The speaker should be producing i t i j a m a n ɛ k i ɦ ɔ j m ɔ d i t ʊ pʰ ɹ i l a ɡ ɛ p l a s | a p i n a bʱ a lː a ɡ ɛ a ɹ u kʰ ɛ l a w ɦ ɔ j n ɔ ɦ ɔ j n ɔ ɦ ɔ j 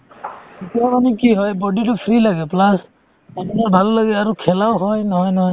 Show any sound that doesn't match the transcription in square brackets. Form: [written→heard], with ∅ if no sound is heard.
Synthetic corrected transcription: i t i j a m a n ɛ k i ɦ ɔ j [m→b] ɔ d i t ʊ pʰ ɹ i l a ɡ ɛ p l a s | a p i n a bʱ a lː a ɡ ɛ a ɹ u kʰ ɛ l a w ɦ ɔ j n ɔ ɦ ɔ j n ɔ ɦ ɔ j